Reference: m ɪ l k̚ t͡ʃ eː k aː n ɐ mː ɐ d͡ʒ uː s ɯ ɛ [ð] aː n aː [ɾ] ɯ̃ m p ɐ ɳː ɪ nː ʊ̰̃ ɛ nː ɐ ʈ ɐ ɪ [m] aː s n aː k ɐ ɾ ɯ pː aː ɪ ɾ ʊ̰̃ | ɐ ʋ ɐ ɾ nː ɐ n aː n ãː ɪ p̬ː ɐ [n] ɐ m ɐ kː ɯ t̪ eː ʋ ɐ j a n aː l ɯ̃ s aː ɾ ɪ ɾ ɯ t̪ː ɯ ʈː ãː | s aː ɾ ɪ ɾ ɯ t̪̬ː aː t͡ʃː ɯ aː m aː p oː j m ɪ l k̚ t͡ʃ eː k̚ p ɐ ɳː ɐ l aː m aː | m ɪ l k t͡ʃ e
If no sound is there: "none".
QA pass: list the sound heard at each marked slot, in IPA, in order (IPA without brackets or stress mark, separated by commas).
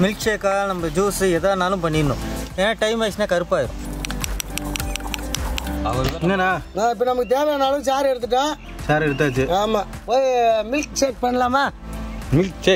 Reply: ð, l, m, n